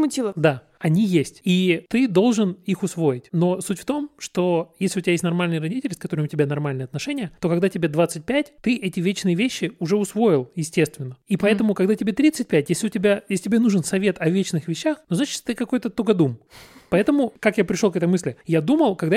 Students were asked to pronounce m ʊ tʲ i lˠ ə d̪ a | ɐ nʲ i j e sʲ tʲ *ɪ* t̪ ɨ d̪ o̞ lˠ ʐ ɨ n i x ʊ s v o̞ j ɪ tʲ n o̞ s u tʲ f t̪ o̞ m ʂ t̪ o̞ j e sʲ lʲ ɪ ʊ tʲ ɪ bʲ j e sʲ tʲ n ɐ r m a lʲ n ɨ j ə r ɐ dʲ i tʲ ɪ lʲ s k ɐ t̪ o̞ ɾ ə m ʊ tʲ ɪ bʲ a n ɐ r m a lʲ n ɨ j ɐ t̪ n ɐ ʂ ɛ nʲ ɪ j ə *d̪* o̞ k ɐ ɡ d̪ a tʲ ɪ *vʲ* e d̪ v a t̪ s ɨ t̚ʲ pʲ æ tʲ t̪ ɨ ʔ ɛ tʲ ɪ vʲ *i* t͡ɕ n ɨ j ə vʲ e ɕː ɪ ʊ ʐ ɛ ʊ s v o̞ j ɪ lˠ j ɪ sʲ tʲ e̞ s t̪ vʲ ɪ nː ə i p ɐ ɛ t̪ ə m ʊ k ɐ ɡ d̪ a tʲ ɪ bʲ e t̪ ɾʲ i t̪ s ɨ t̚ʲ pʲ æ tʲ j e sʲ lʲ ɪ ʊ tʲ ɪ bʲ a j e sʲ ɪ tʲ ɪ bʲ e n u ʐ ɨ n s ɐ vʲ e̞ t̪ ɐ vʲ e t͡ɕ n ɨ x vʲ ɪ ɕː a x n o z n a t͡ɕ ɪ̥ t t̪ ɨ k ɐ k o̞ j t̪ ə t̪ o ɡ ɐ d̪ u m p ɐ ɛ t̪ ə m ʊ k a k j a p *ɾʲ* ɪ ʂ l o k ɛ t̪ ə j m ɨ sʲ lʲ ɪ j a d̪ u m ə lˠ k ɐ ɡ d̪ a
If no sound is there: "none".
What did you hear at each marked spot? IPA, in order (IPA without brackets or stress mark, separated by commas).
i, t̪, bʲ, e, ɾʲ